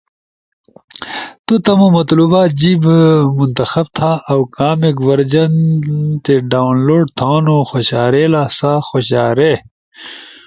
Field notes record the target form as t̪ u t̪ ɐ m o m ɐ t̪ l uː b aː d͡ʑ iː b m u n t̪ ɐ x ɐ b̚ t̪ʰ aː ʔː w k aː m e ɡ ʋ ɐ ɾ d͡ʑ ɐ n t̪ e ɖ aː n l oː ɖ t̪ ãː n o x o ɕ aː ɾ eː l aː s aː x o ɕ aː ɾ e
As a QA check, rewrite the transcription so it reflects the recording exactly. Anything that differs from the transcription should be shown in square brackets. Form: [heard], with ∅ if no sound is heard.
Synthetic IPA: t̪ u t̪ ɐ m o m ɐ t̪ l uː b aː d͡ʑ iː b m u n t̪ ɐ x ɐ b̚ t̪ʰ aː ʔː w k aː m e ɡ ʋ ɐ ɾ d͡ʑ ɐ n t̪ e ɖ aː n l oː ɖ [t̪ʰ] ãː n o x o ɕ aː ɾ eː l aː s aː x o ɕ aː ɾ e